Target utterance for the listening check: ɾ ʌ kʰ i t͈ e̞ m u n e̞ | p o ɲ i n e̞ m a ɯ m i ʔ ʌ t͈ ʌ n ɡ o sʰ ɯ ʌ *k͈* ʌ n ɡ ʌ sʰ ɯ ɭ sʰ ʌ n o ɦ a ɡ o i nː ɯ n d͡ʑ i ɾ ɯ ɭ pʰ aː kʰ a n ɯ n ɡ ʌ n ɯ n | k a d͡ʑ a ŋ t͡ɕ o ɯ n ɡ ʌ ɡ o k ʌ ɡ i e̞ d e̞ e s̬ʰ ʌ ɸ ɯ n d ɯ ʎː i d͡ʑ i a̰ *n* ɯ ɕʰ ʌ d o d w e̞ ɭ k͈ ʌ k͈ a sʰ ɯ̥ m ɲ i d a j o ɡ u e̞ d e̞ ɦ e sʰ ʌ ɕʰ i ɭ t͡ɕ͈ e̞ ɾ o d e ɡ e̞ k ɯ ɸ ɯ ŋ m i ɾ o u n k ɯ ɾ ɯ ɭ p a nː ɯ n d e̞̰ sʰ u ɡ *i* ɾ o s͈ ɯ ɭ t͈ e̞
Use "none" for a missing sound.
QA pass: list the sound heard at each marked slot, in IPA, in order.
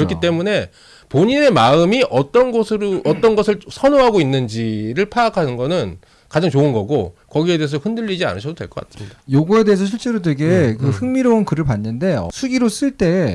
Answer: t͈, n, i

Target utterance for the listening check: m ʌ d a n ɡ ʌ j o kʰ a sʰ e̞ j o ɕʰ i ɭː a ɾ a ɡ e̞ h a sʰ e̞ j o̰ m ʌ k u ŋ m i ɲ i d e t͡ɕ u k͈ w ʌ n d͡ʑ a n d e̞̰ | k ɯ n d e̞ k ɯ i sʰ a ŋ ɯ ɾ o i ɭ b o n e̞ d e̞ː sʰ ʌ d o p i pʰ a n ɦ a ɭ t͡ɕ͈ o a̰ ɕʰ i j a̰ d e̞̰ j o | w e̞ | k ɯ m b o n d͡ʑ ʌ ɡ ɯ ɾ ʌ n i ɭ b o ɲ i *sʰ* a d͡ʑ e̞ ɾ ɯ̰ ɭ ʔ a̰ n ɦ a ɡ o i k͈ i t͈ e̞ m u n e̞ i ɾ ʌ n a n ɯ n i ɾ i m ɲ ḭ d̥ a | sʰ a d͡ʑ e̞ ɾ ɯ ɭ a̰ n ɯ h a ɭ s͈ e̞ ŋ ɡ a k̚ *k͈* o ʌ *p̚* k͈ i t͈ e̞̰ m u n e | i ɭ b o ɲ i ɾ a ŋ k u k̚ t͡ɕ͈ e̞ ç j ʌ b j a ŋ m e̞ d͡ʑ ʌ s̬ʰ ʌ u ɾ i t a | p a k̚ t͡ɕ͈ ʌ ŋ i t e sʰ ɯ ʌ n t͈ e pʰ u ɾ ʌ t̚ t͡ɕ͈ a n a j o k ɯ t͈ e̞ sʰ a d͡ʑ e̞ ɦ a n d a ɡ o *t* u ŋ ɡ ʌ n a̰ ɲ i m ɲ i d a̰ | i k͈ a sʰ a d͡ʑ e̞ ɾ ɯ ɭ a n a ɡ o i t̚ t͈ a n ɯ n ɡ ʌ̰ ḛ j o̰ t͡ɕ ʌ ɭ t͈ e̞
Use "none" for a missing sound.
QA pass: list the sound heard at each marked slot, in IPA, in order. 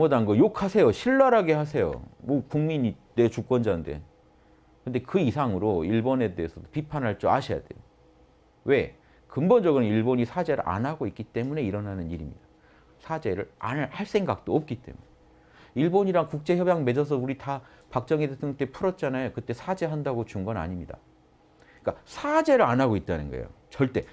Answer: sʰ, t͈, p̚, t͡ɕ

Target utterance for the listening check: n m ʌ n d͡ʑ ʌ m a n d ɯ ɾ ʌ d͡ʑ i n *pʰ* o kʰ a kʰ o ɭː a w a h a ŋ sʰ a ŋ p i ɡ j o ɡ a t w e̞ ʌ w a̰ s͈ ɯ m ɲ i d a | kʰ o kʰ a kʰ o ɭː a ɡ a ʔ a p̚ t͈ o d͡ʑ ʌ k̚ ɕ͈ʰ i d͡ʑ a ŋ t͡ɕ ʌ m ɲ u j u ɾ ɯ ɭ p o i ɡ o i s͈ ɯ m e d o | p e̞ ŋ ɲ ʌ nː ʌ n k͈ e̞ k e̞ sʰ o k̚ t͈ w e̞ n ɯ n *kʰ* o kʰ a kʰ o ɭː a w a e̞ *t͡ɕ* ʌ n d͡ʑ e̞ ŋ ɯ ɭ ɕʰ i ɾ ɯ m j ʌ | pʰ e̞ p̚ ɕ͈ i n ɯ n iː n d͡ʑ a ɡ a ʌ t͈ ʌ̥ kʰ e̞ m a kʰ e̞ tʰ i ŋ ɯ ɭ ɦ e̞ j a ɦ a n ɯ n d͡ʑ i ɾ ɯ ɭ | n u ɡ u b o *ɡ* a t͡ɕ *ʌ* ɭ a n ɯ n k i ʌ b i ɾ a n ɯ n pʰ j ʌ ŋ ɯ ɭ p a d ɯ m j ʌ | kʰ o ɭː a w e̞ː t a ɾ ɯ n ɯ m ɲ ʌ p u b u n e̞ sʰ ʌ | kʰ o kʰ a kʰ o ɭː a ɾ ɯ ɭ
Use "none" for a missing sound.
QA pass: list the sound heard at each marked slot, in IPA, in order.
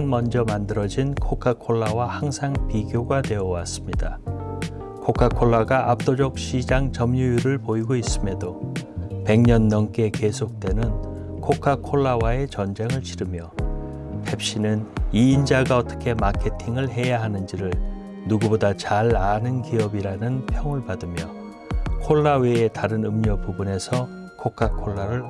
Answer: kʰ, kʰ, t͡ɕ, d, a

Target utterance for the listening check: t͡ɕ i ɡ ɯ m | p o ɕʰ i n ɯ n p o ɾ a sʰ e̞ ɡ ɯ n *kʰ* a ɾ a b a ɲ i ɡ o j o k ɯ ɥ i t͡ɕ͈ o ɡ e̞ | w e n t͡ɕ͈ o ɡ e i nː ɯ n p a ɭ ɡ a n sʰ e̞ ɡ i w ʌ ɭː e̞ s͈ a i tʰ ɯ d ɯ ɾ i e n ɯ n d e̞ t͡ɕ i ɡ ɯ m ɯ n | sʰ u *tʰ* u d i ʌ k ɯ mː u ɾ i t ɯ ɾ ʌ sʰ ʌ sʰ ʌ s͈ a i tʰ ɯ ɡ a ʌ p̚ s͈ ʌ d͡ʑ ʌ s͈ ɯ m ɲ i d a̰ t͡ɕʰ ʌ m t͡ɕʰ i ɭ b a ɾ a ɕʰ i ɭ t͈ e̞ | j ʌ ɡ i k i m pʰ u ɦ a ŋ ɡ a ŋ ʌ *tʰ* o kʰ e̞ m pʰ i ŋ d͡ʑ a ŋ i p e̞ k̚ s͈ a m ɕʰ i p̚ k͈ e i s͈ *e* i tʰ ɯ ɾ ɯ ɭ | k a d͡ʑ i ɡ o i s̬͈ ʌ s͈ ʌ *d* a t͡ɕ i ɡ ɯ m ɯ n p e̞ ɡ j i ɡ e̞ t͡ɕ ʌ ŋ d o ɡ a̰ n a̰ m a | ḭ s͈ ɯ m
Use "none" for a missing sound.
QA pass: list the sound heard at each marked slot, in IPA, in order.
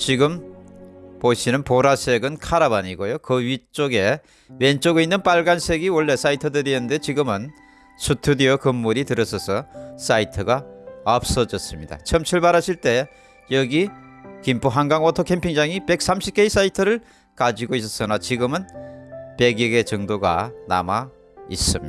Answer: kʰ, tʰ, tʰ, a, n

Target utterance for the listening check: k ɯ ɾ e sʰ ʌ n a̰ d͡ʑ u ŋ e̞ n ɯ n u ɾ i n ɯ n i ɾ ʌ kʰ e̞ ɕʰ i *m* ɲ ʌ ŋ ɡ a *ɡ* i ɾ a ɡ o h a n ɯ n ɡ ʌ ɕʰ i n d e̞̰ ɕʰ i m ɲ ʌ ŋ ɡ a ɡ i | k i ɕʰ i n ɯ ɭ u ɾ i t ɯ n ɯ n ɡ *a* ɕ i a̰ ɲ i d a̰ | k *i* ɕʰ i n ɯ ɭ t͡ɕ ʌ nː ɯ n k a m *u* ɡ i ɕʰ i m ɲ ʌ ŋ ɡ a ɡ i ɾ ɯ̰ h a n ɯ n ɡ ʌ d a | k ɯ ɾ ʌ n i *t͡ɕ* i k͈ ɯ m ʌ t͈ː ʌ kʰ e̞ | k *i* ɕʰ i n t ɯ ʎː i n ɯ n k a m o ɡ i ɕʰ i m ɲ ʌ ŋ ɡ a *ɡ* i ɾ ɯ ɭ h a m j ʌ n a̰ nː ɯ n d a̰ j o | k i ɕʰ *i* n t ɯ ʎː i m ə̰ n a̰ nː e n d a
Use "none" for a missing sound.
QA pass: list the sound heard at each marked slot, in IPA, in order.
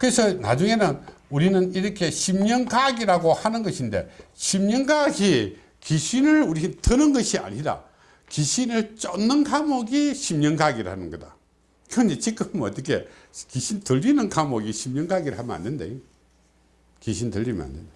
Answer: m, ɡ, ʌ, i, o, t͡ɕ, i, ɡ, i

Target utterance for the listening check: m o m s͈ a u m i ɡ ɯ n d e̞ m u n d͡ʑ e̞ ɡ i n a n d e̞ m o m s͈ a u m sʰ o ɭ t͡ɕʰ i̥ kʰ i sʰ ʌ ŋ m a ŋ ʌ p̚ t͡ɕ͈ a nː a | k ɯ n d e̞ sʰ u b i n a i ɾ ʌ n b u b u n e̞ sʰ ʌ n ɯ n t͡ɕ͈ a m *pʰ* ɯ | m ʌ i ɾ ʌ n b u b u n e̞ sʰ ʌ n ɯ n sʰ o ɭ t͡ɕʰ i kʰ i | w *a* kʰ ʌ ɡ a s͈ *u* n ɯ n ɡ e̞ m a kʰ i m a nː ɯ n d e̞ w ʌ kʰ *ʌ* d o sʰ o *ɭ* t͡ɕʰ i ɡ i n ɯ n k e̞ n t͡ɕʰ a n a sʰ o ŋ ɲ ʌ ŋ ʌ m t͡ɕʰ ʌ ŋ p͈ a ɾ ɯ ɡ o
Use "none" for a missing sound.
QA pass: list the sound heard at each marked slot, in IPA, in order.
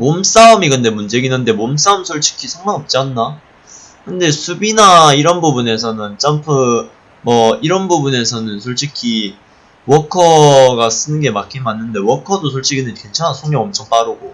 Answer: pʰ, ʌ, ɯ, ʌ, ɭ

